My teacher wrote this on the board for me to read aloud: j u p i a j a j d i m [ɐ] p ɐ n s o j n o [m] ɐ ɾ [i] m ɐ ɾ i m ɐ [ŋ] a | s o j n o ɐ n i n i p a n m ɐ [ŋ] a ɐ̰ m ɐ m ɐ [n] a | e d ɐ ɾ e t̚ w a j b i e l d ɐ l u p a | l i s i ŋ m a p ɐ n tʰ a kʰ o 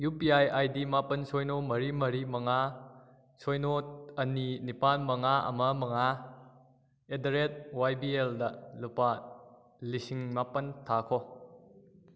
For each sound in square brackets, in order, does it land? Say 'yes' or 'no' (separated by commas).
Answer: no, yes, yes, yes, yes, no